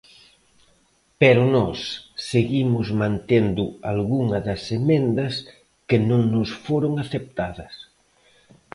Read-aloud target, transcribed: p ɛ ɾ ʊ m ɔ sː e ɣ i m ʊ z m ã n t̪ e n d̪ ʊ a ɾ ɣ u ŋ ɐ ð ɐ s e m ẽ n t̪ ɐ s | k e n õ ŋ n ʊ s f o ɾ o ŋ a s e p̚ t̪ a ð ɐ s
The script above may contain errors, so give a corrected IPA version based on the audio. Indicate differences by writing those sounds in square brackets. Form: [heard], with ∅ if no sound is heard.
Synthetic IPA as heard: p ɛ ɾ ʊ [n] ɔ sː e ɣ i m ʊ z m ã n t̪ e n d̪ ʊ a [l] ɣ u ŋ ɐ ð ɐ s e m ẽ n [d̪] ɐ s | k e n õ ŋ n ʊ s f o ɾ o ŋ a [θ] e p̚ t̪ a ð ɐ s